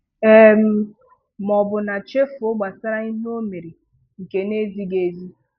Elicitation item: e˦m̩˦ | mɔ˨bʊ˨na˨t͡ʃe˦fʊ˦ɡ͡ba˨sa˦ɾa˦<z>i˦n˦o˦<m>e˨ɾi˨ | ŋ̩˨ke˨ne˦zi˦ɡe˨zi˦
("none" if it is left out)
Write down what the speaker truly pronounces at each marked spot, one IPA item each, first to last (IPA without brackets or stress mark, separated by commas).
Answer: none, m